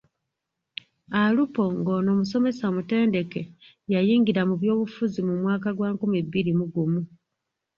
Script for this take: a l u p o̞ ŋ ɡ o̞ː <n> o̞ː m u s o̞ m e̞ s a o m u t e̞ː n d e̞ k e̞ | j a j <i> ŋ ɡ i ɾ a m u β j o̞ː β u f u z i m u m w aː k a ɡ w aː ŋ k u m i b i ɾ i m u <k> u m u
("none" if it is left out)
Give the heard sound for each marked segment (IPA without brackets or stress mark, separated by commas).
n, iː, ɡ